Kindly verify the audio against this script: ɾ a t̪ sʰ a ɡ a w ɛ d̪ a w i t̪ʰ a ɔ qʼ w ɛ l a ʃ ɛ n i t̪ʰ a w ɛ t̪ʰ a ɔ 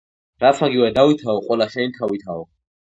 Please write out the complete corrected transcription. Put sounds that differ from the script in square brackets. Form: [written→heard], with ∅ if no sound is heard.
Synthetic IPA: ɾ a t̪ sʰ a ɡ [a→i] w ɛ d̪ a w i t̪ʰ a ɔ qʼ w ɛ l a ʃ ɛ n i t̪ʰ a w [ɛ→i] t̪ʰ a ɔ